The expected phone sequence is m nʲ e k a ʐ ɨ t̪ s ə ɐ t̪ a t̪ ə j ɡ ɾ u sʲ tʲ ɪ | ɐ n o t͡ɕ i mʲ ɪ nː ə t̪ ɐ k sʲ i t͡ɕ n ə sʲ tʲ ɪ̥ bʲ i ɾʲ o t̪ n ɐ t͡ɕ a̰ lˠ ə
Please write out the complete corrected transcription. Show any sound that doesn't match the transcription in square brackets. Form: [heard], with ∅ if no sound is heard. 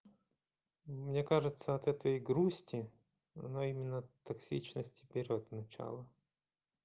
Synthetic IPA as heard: m nʲ e k a ʐ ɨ t̪ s ə ɐ t̪ [ɛ] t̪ ə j ɡ ɾ u sʲ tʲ ɪ | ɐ n o [∅] i mʲ ɪ nː ə t̪ ɐ k sʲ i t͡ɕ n ə sʲ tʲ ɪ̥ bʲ [ɪ] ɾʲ o t̪ n ɐ t͡ɕ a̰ lˠ ə